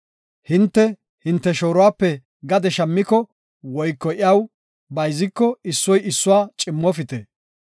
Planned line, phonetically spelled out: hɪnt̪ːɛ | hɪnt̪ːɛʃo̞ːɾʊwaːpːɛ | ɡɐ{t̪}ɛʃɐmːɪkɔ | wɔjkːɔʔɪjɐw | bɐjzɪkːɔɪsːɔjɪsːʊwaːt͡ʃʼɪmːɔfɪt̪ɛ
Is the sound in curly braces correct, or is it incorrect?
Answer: incorrect